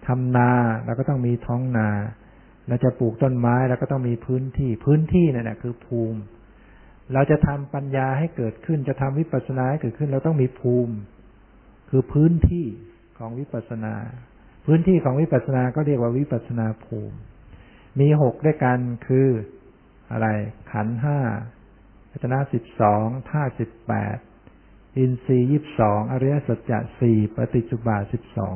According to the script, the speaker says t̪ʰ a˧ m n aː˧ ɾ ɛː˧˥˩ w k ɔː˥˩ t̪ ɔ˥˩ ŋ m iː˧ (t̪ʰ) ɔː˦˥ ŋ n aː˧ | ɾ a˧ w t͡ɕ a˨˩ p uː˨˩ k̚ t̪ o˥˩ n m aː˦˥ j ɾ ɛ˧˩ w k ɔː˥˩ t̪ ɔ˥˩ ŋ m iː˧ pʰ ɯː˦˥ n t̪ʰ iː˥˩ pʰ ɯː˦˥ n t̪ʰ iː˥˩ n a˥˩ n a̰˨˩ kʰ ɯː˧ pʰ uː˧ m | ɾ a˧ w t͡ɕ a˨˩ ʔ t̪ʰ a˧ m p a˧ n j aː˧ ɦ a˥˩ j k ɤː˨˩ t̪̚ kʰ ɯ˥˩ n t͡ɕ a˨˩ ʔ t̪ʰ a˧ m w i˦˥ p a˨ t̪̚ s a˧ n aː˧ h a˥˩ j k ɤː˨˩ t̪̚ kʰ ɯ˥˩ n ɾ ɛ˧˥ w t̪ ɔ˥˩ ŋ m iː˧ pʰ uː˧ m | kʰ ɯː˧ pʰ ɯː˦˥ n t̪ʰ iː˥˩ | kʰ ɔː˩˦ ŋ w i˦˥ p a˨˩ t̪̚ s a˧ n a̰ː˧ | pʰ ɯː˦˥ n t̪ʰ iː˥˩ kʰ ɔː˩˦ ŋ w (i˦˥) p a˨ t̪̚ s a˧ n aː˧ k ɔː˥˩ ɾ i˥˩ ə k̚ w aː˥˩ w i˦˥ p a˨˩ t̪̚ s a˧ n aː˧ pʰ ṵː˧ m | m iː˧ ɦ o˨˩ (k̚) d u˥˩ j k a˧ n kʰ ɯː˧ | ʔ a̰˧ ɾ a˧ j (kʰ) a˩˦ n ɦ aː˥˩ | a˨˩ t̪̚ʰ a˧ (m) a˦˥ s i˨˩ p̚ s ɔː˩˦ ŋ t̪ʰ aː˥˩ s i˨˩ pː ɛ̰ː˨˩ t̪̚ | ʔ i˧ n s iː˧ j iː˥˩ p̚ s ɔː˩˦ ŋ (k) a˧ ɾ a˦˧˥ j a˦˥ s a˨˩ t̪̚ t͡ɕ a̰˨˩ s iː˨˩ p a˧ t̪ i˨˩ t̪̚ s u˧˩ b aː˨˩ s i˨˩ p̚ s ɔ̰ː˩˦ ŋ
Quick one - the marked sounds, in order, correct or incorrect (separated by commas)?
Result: correct, correct, correct, correct, incorrect, incorrect